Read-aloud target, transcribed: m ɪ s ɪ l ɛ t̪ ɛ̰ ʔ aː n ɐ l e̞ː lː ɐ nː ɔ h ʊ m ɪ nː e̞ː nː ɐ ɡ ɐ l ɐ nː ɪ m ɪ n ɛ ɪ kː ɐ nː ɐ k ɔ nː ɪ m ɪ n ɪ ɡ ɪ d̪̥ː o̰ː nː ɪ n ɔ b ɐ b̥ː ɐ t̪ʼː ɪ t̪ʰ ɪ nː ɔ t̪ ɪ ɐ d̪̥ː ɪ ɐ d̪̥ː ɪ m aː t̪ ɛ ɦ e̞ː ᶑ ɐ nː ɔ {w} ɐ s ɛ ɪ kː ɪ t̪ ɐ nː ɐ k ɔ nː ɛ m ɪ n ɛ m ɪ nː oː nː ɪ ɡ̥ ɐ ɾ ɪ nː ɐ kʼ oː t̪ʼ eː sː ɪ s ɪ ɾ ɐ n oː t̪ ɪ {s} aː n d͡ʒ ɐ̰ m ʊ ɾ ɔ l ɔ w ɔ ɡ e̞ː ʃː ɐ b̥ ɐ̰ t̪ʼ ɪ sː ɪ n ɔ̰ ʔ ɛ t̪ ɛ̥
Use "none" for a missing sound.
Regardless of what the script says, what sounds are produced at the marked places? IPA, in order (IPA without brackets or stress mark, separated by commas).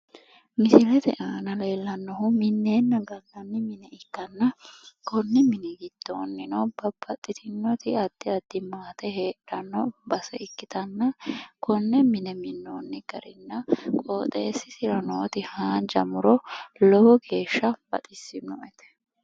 b, h